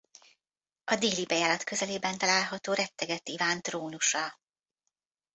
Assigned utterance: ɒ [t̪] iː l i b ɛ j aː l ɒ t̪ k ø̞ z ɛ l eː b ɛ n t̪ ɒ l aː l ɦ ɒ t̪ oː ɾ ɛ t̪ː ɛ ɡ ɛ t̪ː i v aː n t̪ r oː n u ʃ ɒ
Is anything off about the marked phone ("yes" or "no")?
yes